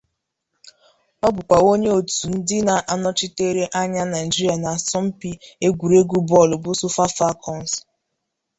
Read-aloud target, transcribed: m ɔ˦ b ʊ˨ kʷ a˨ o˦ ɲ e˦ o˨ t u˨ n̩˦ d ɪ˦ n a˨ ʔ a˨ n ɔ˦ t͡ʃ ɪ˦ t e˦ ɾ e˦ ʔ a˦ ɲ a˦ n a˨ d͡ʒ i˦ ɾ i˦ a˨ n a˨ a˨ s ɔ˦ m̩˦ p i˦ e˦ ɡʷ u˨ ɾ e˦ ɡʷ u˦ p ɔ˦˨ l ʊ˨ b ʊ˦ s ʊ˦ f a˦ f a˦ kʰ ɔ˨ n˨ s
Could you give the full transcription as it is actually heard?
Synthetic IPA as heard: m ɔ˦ b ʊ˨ kʷ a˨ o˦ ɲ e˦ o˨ t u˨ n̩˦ d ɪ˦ n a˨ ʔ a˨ n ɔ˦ t͡ʃ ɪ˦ t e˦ ɾ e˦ ʔ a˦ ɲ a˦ n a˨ d͡ʒ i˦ ɾ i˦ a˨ n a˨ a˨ s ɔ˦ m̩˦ p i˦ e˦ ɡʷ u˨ ɾ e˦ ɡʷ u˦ b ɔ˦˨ l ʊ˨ b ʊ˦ s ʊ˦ f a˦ f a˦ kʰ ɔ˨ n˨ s